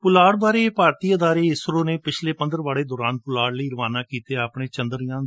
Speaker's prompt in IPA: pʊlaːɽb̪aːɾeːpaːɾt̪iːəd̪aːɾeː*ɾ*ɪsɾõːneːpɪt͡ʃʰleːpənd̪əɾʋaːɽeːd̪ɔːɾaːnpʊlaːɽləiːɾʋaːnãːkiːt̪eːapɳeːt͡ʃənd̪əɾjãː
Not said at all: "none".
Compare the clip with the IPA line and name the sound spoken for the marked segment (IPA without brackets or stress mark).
none